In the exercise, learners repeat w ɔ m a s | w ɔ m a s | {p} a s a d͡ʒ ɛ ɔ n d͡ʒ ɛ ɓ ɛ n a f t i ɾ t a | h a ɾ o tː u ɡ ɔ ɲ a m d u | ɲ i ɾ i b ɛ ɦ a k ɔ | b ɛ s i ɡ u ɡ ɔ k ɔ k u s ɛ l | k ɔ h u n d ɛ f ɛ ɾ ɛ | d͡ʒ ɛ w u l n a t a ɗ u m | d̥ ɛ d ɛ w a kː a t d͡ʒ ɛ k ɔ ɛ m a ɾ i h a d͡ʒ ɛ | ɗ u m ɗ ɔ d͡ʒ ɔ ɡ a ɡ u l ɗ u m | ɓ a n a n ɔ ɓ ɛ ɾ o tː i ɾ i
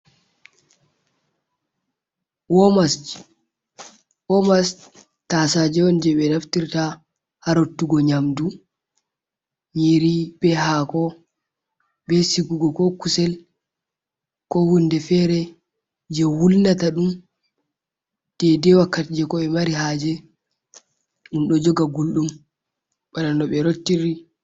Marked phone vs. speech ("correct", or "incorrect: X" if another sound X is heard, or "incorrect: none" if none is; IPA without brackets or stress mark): incorrect: t